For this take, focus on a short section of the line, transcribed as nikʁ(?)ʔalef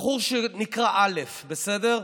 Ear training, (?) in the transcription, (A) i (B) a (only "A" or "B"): B